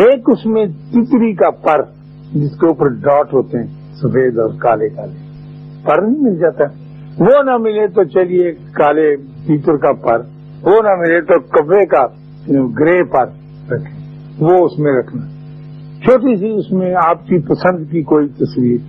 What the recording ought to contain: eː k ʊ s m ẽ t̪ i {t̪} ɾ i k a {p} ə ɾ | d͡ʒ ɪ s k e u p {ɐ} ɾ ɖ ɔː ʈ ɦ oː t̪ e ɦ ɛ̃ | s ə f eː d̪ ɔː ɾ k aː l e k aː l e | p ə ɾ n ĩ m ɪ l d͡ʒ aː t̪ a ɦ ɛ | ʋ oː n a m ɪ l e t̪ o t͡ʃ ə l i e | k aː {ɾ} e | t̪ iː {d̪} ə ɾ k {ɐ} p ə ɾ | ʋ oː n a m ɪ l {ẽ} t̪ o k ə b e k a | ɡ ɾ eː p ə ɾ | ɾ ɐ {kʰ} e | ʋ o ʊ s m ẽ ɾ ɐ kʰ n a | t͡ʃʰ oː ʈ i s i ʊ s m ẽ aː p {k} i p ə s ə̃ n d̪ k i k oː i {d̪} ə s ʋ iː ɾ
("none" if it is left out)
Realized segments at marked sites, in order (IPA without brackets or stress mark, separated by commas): t̪, p, ə, l, t̪, a, e, kʰ, k, t̪